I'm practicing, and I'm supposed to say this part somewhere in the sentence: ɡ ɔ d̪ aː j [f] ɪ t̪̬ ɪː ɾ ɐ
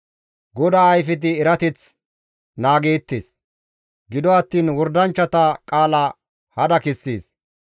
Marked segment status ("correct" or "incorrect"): correct